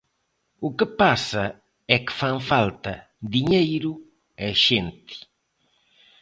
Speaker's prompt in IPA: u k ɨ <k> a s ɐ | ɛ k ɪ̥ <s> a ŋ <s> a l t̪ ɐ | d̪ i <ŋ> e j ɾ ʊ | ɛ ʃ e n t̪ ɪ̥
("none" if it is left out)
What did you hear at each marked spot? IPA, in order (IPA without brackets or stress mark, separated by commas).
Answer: p, f, f, ɲ